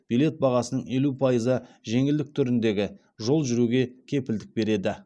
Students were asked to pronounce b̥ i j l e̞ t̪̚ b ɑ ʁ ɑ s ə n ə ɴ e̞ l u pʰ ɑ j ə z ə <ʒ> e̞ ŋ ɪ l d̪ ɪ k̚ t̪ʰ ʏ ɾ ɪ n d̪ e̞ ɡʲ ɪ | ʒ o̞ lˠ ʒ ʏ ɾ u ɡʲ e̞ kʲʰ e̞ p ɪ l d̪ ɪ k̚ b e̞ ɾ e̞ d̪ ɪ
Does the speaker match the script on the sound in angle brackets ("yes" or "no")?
yes